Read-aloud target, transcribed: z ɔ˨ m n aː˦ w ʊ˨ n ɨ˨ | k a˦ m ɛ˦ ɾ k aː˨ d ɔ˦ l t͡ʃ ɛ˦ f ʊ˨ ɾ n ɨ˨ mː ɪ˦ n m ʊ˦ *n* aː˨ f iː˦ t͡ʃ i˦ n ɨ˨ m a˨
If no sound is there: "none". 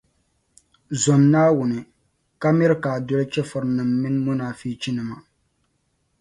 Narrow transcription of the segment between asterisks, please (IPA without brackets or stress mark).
n